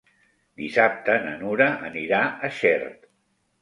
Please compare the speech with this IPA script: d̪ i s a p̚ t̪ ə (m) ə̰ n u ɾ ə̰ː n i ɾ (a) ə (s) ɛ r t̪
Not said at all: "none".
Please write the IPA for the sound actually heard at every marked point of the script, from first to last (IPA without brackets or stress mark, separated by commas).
n, a, ʃ